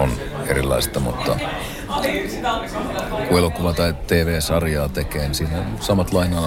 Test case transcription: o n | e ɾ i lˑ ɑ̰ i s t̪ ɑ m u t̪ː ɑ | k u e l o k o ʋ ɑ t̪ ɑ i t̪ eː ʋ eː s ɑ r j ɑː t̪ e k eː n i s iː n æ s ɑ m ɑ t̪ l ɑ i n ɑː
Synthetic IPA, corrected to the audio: o n | e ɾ i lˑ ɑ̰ i s t̪ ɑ m u t̪ː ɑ | k u e l o k u ʋ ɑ t̪ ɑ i t̪ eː ʋ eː s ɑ r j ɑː t̪ e k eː n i s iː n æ s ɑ m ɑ t̪ l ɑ i n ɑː